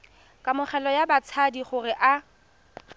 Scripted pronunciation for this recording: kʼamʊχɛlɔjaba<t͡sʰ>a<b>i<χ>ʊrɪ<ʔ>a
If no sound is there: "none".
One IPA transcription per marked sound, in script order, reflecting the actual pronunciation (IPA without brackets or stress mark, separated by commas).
t͡sʰ, d, χ, ʔ